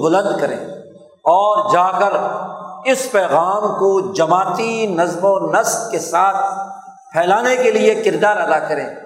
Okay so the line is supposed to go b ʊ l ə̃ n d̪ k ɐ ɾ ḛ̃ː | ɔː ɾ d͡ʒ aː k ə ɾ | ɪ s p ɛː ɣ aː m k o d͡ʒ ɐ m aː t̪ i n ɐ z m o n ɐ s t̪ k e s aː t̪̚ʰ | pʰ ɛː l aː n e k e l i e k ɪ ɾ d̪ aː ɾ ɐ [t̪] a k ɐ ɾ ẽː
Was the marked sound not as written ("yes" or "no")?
yes